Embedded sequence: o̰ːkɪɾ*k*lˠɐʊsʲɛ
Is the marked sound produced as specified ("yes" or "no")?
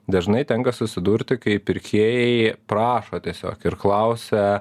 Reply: yes